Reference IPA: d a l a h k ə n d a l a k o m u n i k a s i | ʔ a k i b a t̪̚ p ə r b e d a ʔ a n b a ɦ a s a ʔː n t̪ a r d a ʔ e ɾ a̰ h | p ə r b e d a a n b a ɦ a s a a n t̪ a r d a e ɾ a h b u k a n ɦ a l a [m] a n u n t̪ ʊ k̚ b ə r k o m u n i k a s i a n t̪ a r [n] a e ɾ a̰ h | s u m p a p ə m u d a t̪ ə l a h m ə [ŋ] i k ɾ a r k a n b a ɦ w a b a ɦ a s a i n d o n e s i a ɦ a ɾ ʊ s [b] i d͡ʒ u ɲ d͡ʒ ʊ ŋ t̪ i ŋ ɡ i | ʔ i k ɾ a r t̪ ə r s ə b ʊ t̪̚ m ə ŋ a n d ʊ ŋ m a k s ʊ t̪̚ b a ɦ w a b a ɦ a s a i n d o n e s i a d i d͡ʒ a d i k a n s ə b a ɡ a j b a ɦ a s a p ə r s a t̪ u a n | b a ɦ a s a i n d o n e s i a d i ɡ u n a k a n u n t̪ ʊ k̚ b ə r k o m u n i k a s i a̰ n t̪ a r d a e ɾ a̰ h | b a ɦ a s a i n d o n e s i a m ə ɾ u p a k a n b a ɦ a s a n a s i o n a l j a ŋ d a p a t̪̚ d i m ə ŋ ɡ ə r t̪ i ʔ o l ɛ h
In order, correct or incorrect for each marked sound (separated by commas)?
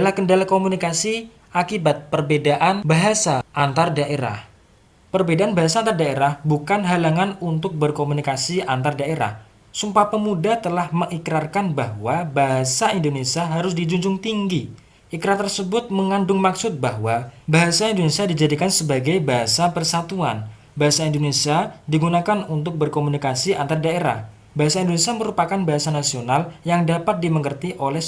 incorrect, incorrect, correct, incorrect